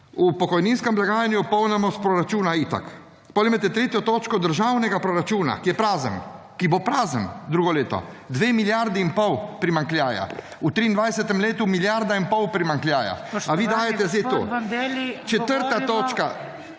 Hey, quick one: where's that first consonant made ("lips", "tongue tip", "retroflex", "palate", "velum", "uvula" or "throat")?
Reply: lips